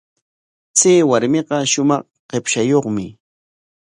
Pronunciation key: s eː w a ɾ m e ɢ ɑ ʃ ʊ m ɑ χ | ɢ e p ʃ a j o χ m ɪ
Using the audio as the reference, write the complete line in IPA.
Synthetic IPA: t͡s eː w a ɾ m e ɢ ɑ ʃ ʊ m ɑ χ | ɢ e p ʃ a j o χ m ɪ